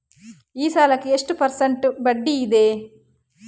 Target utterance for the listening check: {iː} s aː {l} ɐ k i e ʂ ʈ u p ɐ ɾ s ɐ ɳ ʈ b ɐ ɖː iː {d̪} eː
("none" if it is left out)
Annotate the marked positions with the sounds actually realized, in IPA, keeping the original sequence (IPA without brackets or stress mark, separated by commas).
iː, l, d̪